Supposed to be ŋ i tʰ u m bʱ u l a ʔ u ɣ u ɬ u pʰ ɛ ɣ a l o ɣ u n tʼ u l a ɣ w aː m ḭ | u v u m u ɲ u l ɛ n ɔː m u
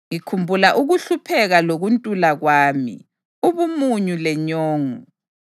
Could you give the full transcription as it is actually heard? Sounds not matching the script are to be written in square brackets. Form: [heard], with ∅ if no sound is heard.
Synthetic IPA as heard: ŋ i [kʰ] u m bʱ u l a ʔ u ɣ u ɬ u pʰ ɛ ɣ a l o ɣ u n tʼ u l a ɣ w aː m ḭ | u [β] u m u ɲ u l ɛ [ɲ] ɔː [ŋ] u

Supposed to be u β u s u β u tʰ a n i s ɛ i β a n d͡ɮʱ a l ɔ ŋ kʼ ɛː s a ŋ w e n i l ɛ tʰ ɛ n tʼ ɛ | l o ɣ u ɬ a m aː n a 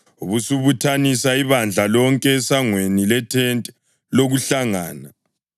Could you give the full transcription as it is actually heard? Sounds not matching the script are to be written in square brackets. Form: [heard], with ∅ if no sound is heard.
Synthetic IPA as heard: u β u s u β u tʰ a n i s [a] i β a n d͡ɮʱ a l ɔ ŋ kʼ ɛː s a ŋ w e n i l ɛ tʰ ɛ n tʼ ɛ | l o ɣ u ɬ a [ŋ] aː n a

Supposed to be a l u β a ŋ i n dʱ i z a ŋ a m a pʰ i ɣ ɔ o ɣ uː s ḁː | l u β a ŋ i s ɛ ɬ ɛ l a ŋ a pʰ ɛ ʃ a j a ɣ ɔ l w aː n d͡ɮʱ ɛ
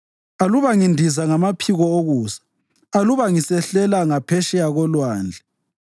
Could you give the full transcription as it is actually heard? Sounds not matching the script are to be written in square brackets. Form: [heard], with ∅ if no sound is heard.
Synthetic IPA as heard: a l u β a ŋ i n dʱ i z a ŋ a m a pʰ i ɣ ɔ o ɣ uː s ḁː | l u β a ŋ i s ɛ ɬ ɛ l a ŋ a pʰ ɛ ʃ [ɛ] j a ɣ ɔ l w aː n d͡ɮʱ ɛ

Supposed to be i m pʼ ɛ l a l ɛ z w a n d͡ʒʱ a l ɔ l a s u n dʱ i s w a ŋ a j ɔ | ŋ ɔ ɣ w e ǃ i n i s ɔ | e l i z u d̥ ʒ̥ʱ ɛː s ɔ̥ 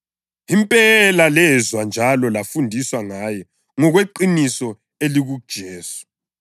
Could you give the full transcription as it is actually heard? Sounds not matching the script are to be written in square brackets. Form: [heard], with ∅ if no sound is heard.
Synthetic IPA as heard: i m pʼ ɛ l a l ɛ z w a n d͡ʒʱ a l ɔ l a [f] u n dʱ i s w a ŋ a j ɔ | ŋ ɔ ɣ w e ǃ i n i s ɔ | e l i [ɣ] u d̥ ʒ̥ʱ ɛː s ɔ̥

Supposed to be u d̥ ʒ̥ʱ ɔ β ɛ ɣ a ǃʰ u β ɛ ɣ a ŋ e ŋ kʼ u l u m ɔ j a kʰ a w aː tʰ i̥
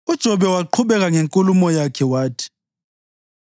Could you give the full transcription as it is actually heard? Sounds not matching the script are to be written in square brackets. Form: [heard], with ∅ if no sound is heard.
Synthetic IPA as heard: u d̥ ʒ̥ʱ ɔ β ɛ [w] a ǃʰ u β ɛ ɣ a ŋ e ŋ kʼ u l u m ɔ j a kʰ [ɛ] w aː tʰ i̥

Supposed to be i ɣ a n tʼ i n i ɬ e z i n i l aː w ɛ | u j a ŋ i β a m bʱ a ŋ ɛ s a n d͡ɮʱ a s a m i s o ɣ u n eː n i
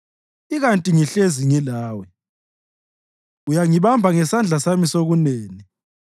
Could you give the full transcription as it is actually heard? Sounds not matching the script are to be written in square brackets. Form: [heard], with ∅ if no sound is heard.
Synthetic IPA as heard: i ɣ a n tʼ i [ŋ] i ɬ e z i [ŋ] i l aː w ɛ | u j a ŋ i β a m bʱ a ŋ ɛ s a n d͡ɮʱ a s a m i s o ɣ u n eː n i

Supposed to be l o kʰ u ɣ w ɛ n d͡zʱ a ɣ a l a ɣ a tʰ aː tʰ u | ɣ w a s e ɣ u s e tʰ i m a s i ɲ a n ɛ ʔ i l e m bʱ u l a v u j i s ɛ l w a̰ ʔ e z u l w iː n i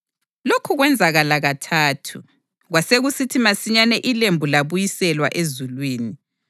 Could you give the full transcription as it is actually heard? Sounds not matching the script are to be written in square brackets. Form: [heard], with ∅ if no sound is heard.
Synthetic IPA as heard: l o kʰ u ɣ w ɛ n d͡zʱ a ɣ a l a ɣ a tʰ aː tʰ u | ɣ w a s e ɣ u s [i] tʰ i m a s i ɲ a n ɛ ʔ i l e m bʱ u l a [β] u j i s ɛ l w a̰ ʔ e z u l w iː n i

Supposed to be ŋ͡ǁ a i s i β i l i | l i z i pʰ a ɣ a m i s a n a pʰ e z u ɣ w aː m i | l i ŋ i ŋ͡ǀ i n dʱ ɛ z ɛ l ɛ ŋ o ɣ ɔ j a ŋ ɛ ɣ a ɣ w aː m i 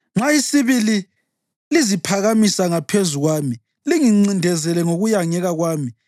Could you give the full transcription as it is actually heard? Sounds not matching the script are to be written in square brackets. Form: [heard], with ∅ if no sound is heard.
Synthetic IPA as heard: ŋ͡ǁ a i s i β i l i | l i z i pʰ a ɣ a m i s a [ŋ] a pʰ e z u ɣ w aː m i | l i ŋ i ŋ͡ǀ i n dʱ ɛ z ɛ l ɛ ŋ o ɣ [u] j a ŋ ɛ ɣ a ɣ w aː m i

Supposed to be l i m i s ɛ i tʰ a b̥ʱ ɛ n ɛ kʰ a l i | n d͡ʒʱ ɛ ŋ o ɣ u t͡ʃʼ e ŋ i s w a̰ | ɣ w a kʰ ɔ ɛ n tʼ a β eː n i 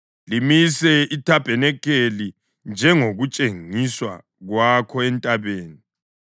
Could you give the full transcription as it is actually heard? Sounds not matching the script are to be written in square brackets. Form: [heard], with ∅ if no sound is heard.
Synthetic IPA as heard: l i m i s ɛ i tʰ a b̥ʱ ɛ n ɛ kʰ [e] l i | n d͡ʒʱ ɛ ŋ o ɣ u t͡ʃʼ e ŋ i s w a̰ | ɣ w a kʰ ɔ ɛ n tʼ a β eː n i

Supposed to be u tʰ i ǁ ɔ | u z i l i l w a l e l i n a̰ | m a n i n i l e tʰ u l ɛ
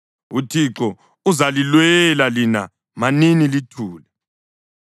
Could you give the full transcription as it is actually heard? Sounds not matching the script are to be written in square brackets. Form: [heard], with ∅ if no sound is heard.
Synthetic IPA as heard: u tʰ i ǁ ɔ | u z [a] l i l w [ɛ] l [a] l i n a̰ | m a n i n i l [i] tʰ [uː] l ɛ

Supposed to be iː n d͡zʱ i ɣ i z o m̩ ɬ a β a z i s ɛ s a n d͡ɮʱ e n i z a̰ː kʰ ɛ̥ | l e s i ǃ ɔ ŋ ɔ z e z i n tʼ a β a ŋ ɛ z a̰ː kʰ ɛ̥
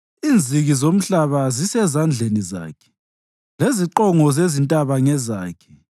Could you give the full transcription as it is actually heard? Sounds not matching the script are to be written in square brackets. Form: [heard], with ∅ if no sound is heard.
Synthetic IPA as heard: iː n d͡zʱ i ɣ i z o m̩ ɬ a β a z i s ɛ [z] a n d͡ɮʱ e n i z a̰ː kʰ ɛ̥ | l e [z] i ǃ ɔ ŋ ɔ z e z i n tʼ a β a ŋ ɛ z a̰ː kʰ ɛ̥

